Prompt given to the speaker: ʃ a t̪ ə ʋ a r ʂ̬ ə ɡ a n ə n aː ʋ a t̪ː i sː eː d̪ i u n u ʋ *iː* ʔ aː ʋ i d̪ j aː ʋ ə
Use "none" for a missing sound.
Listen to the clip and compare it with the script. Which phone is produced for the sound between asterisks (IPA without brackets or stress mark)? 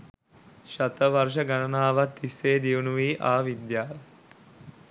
iː